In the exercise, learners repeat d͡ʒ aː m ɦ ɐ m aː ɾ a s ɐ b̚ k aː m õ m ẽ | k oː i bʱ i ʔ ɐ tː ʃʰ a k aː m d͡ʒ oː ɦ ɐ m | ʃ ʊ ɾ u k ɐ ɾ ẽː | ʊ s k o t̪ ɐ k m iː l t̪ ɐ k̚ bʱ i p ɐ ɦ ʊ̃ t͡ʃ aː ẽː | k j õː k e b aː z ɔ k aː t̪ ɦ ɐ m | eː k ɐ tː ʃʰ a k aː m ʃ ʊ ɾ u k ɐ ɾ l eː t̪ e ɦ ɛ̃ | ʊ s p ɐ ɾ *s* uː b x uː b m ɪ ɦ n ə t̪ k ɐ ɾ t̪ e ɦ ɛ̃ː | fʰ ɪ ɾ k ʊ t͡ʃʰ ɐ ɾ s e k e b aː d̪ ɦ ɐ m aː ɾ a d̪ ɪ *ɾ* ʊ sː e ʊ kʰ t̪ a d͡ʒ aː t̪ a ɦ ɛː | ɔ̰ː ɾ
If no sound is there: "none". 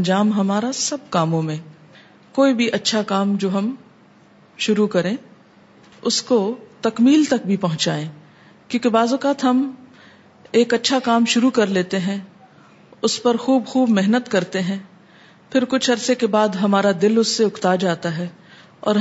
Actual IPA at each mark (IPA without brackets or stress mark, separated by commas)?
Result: x, l